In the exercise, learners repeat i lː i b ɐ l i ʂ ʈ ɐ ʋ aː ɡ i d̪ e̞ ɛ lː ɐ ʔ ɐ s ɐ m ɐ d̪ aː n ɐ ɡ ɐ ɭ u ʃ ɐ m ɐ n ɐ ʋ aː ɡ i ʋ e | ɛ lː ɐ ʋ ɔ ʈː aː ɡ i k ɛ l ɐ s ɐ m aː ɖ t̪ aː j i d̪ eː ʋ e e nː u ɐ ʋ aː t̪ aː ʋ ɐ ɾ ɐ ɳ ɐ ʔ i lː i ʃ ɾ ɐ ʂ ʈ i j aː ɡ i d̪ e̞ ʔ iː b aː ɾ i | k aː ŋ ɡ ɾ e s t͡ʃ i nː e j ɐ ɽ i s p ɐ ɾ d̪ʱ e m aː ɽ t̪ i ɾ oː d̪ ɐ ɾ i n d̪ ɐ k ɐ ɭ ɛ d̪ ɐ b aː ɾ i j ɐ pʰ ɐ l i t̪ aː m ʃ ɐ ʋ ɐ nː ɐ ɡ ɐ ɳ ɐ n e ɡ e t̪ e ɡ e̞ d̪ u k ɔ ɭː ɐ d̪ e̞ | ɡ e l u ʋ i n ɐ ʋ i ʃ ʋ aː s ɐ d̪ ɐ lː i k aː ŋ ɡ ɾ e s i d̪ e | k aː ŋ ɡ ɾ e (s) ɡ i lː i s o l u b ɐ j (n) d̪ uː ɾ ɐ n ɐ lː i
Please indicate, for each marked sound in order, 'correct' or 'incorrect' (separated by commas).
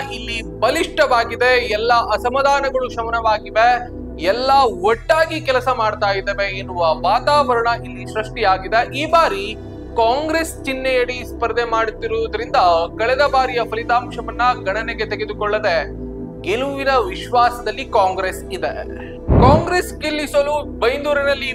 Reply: correct, correct